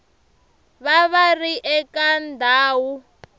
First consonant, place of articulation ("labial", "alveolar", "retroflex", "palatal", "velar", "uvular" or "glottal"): labial